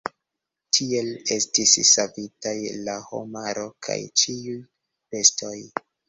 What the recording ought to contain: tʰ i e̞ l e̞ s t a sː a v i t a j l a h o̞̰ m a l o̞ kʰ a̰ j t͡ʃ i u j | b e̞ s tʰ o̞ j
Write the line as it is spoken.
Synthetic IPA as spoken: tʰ i e̞ l e̞ s t i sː a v i t a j l a h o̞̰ m a ɾ o̞ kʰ a̰ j t͡ʃ i u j | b e̞ s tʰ o̞ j